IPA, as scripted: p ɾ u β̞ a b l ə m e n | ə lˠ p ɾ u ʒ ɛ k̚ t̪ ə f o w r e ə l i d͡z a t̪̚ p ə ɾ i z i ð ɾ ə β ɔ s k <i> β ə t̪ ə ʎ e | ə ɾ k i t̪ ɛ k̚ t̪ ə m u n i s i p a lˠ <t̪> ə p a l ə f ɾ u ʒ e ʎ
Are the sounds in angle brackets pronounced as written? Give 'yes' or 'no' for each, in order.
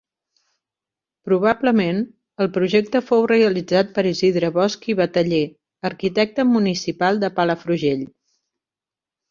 yes, no

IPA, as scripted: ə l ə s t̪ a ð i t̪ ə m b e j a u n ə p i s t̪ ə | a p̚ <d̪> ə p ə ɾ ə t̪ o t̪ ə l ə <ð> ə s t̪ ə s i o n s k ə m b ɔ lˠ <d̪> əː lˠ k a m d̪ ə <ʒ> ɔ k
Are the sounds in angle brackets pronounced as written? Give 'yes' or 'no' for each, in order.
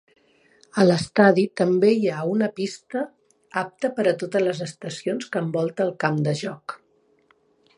no, no, no, yes

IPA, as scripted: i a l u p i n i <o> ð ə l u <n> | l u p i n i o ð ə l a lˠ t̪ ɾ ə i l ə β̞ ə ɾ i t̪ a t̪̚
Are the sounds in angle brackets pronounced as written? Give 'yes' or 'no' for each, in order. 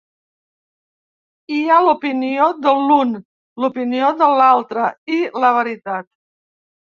yes, yes

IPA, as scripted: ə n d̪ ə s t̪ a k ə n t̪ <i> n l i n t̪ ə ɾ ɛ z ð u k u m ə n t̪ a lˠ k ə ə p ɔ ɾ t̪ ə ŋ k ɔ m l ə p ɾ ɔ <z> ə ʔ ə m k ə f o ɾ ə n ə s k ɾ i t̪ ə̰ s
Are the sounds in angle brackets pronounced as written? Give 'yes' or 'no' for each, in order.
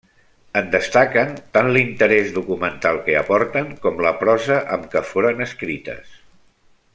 no, yes

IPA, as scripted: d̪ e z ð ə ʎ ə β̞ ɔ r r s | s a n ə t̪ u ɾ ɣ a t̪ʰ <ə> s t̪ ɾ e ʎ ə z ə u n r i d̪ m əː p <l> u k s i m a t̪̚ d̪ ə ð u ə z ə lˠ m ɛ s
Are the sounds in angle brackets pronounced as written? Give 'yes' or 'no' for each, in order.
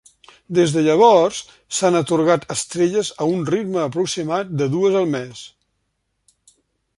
yes, no

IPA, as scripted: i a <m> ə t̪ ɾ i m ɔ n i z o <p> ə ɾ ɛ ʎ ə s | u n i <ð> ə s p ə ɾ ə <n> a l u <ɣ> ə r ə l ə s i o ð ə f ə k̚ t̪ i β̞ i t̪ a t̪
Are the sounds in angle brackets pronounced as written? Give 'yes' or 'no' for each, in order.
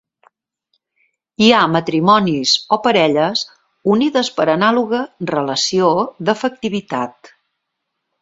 yes, yes, yes, yes, yes

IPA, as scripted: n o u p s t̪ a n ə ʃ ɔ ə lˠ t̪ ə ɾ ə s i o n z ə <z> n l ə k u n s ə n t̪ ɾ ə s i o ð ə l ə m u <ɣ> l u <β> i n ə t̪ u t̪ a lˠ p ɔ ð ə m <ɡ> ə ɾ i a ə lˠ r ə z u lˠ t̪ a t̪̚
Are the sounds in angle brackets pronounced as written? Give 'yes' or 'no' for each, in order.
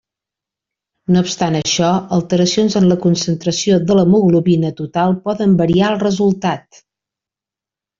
no, yes, yes, no

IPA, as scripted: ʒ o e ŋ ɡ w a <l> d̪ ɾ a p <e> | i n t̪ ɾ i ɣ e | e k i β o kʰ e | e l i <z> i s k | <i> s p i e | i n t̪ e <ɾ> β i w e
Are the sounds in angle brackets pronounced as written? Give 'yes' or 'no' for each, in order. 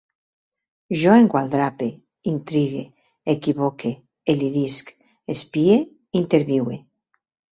yes, yes, no, no, yes

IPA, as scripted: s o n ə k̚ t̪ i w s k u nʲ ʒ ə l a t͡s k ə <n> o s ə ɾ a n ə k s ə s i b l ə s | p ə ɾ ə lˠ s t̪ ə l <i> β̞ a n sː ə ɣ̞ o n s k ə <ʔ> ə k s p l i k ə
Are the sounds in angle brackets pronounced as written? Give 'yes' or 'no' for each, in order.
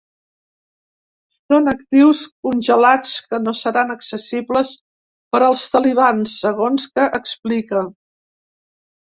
yes, yes, yes

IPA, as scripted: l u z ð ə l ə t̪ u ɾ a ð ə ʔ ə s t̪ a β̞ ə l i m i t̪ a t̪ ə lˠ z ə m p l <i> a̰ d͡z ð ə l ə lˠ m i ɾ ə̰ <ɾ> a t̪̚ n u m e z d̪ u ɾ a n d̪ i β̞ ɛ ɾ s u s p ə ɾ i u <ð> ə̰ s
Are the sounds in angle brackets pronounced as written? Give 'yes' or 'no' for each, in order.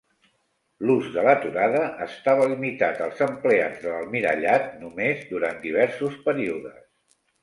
no, no, yes

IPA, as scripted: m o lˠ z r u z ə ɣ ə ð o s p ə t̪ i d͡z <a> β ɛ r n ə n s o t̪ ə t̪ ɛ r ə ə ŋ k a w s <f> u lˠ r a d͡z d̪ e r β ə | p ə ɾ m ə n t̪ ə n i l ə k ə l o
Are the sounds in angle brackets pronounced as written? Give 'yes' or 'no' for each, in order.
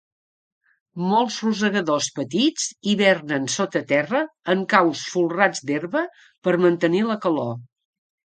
no, yes

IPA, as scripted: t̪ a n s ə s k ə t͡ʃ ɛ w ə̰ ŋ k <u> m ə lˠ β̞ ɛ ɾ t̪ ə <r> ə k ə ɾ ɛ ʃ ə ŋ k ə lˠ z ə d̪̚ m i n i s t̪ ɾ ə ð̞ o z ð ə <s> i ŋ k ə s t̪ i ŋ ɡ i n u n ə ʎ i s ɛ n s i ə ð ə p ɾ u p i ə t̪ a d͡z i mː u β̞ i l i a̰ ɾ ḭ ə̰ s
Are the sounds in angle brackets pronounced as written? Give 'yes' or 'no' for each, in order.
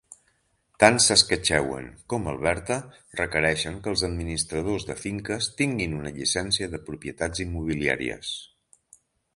no, yes, no

